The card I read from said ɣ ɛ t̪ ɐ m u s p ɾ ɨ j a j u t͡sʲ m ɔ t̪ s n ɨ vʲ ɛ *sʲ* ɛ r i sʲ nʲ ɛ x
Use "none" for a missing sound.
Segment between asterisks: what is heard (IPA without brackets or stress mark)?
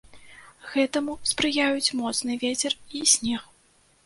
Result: t͡sʲ